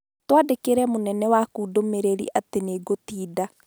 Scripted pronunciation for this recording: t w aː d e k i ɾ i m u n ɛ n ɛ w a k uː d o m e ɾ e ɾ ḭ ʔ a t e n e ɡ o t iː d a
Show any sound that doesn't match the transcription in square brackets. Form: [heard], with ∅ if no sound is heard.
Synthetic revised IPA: t w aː d e k [e] ɾ [ɛ] m [o] n ɛ n ɛ w a k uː d o m e ɾ e ɾ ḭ ʔ a t e n e ɡ o t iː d a

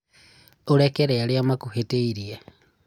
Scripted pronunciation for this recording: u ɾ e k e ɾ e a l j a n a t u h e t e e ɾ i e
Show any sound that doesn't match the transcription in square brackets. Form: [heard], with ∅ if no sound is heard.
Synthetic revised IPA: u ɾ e k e ɾ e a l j a [m] a [k] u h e t e [i] ɾ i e

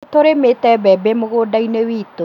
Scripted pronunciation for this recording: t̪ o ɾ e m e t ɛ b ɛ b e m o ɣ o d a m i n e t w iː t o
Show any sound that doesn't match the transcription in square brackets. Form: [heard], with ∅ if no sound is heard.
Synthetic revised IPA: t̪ o ɾ e m e t ɛ b ɛ b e m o ɣ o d a [∅] i n e [∅] w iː t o

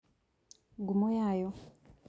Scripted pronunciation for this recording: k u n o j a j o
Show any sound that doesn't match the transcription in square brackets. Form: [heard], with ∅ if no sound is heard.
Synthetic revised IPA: [ɡ] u [m] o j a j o

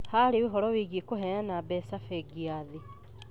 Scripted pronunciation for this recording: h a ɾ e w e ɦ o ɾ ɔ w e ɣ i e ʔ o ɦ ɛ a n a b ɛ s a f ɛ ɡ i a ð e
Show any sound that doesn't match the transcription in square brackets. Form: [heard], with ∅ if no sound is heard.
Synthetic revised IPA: h a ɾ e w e ɦ [ɔ] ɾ ɔ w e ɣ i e [k] o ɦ ɛ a n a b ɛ s a f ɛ ɡ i a ð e

